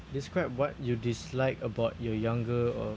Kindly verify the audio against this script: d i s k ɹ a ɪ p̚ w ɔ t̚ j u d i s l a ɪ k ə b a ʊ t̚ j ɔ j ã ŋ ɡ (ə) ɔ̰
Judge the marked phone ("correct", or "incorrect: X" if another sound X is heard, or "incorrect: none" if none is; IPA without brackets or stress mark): correct